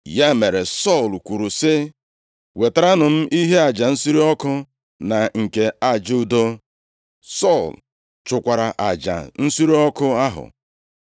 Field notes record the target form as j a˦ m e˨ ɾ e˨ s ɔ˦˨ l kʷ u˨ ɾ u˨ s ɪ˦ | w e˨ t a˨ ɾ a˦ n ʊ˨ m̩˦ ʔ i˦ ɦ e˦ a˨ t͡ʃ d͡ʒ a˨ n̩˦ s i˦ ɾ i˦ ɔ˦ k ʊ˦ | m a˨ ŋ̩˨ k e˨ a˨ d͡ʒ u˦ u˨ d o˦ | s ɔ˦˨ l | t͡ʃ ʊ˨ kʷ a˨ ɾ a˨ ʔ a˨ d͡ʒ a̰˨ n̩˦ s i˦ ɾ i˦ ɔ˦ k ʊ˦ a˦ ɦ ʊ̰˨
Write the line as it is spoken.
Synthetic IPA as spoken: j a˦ m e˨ ɾ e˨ s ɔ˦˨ l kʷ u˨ ɾ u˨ s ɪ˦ | w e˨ t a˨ ɾ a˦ n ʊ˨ m̩˦ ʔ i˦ ɦ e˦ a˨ d͡ʒ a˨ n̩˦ s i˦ ɾ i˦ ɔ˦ k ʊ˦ | n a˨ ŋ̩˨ k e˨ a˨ d͡ʒ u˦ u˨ d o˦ | s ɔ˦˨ l | t͡ʃ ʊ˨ kʷ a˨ ɾ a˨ ʔ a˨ d͡ʒ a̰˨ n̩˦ s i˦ ɾ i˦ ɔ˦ k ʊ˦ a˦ ɦ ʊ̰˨